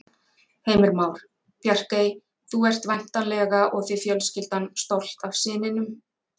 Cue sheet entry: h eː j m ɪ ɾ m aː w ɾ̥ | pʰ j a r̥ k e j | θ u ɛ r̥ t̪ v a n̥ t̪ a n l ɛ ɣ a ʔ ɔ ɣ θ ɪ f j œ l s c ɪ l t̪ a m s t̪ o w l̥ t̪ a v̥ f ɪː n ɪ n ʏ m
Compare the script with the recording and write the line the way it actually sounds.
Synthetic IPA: h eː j m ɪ ɾ m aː w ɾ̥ | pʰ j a r̥ k e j | θ u ɛ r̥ t̪ v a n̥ t̪ a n l ɛ ɣ a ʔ ɔ ɣ θ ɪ f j œ l s c ɪ l t̪ a n s t̪ o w l̥ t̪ a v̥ s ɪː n ɪ n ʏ m